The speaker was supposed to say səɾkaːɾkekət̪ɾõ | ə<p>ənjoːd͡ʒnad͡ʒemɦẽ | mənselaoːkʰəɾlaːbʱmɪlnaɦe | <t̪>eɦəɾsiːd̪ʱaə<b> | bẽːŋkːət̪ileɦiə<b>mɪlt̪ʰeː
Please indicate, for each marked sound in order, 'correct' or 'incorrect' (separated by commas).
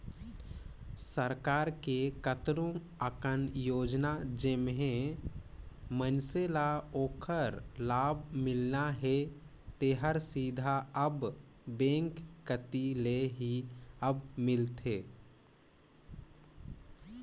incorrect, correct, correct, correct